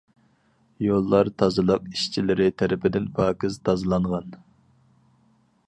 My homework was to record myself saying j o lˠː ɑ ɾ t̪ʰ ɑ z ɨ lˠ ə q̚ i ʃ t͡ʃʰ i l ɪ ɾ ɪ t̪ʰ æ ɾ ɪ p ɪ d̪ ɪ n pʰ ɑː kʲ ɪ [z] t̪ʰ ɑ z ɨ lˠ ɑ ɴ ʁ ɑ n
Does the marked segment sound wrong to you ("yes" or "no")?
no